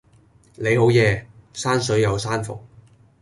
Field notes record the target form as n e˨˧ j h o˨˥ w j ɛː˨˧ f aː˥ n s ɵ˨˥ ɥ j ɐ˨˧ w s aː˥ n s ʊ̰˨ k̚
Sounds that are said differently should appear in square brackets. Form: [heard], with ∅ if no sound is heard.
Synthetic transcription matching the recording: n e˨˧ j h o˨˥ w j ɛː˨˧ [s] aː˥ n s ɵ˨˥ ɥ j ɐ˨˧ w s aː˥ n [f] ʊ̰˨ k̚